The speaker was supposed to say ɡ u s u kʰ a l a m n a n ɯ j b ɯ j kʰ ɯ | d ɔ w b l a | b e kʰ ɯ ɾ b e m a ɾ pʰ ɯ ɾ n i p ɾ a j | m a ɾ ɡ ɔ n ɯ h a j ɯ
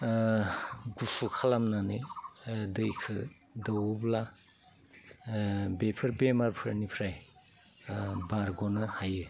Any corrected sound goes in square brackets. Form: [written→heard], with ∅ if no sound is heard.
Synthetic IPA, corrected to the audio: ɡ u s u kʰ a l a m n a n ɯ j [b→d] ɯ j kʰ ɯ | d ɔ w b l a | b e [kʰ→pʰ] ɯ ɾ b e m a ɾ pʰ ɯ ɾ n i [p→pʰ] ɾ a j | [m→b] a ɾ ɡ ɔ n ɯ h a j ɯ